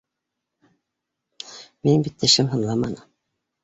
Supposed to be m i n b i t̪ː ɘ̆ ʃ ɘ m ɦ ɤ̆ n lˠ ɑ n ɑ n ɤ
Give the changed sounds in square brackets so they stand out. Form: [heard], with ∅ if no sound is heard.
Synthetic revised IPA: m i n b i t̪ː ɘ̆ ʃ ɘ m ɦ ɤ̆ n lˠ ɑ [m] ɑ n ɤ